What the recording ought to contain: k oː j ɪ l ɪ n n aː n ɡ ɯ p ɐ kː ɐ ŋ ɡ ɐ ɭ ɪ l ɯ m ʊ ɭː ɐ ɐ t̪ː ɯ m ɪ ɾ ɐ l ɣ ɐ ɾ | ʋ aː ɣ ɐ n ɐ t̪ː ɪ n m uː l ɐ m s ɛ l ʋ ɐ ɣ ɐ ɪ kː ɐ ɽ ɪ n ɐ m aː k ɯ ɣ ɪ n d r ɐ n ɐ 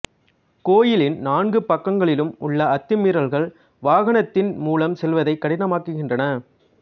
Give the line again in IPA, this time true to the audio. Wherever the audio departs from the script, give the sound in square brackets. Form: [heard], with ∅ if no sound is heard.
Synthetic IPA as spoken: k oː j ɪ l ɪ n n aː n ɡ ɯ p ɐ kː ɐ ŋ ɡ ɐ ɭ ɪ l ɯ m ʊ ɭː ɐ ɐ t̪ː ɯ m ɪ ɾ ɐ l ɣ ɐ [ɭ] | ʋ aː ɣ ɐ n ɐ t̪ː ɪ n m uː l ɐ m s ɛ l ʋ ɐ [ð] ɐ ɪ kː ɐ ɽ ɪ n ɐ m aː k ɯ ɣ ɪ n d r ɐ n ɐ